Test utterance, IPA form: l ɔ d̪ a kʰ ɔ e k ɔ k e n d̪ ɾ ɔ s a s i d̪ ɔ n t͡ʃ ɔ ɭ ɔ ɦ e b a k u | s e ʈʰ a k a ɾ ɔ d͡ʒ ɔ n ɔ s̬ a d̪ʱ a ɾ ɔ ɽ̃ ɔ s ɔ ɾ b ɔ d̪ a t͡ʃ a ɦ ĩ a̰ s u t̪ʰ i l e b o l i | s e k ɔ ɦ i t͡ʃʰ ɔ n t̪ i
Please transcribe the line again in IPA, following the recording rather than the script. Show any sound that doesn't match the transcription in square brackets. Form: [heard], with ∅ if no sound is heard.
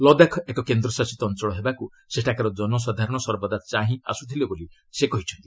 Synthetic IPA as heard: l ɔ d̪ a kʰ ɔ e k ɔ k e n d̪ ɾ ɔ s a s i [t̪] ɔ n t͡ʃ ɔ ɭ ɔ ɦ e b a k u | s e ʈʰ a k a ɾ ɔ d͡ʒ ɔ n ɔ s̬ a d̪ʱ a ɾ ɔ ɽ̃ ɔ s ɔ ɾ b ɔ d̪ a t͡ʃ a ɦ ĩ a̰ s u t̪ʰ i l e b o l i | s e k ɔ ɦ i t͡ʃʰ ɔ n t̪ i